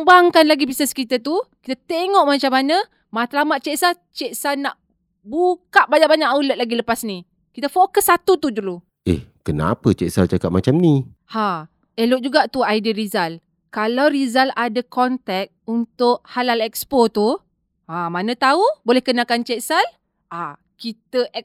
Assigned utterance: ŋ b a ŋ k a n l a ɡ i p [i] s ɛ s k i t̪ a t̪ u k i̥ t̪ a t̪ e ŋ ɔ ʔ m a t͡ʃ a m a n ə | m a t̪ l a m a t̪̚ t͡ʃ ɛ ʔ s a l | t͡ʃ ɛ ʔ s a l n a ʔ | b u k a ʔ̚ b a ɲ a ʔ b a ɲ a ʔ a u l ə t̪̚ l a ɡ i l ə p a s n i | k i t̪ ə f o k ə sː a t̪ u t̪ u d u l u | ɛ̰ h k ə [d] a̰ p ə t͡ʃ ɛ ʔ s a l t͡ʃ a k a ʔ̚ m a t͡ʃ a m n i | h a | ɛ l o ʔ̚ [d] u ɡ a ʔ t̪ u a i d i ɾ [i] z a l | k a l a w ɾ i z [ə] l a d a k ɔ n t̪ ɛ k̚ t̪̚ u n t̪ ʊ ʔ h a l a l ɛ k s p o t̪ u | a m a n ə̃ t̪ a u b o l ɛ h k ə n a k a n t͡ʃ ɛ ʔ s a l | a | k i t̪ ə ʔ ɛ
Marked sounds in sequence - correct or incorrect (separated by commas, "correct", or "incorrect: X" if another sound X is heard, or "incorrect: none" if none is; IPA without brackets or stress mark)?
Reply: correct, incorrect: n, incorrect: d͡ʒ, correct, incorrect: a